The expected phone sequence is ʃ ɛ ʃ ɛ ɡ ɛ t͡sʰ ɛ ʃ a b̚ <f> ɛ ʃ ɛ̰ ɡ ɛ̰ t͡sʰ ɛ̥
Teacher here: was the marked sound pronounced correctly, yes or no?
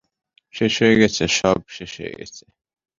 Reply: no